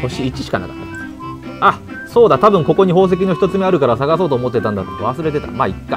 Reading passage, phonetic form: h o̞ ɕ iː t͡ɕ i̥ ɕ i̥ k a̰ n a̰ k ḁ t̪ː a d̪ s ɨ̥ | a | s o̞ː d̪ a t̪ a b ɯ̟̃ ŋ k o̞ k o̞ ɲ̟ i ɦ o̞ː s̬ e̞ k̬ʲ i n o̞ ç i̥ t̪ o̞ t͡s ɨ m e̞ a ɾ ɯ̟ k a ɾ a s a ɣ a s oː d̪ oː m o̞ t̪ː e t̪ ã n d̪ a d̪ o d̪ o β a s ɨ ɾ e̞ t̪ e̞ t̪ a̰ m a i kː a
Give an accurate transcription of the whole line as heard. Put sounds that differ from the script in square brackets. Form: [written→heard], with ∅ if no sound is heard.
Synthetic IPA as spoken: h o̞ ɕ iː t͡ɕ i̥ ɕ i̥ k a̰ n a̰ k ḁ t̪ː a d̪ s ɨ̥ | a | s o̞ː d̪ a t̪ a b ɯ̟̃ ŋ k o̞ k o̞ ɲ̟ i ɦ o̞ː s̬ e̞ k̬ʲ i n o̞ ç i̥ t̪ o̞ t͡s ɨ m e̞ a ɾ ɯ̟ k a ɾ a s a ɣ a s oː [d̪→t̪] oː m o̞ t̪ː e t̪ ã n d̪ a [d̪→t̪] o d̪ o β a s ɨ ɾ e̞ t̪ e̞ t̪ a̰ m a i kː a